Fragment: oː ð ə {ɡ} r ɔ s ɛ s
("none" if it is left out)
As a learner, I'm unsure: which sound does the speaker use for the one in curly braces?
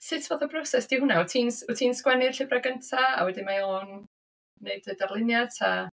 b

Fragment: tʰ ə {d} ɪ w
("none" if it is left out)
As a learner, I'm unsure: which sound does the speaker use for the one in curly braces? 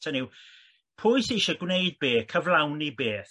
n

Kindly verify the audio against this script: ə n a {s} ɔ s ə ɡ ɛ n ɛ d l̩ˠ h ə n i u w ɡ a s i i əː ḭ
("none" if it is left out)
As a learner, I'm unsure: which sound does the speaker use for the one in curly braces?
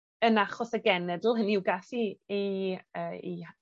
χ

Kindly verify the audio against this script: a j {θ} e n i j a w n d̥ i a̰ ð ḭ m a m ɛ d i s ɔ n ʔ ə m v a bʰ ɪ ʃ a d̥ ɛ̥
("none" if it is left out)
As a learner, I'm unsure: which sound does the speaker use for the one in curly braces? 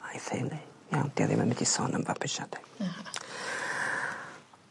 θ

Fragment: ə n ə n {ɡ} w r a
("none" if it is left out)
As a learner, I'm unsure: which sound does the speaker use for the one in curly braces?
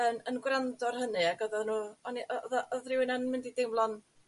ɡ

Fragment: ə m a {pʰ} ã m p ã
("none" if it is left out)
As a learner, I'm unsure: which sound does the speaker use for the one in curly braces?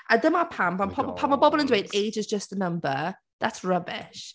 pʰ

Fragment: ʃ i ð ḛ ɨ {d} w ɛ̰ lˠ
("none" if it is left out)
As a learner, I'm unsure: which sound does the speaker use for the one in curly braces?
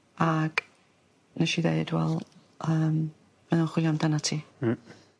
d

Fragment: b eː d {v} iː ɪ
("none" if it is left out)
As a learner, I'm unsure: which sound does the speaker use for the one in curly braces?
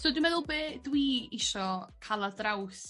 w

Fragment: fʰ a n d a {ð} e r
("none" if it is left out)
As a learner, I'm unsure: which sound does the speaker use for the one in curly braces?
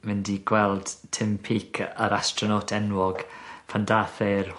θ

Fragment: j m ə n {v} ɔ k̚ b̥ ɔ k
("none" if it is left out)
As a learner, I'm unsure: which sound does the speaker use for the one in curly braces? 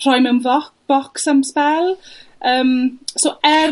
v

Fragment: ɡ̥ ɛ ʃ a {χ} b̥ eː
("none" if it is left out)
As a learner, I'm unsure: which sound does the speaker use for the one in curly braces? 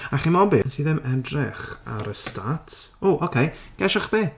χ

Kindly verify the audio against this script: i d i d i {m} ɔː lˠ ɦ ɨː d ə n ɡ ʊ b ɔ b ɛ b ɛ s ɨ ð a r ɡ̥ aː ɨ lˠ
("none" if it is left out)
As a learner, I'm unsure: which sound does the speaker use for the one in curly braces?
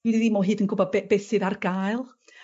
m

